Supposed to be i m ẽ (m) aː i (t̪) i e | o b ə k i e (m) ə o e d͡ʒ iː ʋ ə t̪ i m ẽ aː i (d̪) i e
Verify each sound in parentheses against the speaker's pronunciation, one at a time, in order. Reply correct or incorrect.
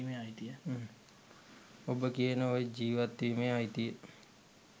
incorrect, correct, incorrect, incorrect

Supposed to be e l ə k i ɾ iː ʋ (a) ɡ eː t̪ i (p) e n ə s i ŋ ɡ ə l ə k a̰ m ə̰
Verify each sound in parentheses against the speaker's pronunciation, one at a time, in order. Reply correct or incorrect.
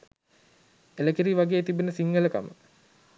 correct, incorrect

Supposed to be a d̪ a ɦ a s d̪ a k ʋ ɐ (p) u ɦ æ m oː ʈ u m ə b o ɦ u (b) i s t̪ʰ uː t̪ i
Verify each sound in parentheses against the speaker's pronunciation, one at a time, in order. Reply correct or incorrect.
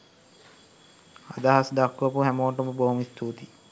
correct, incorrect

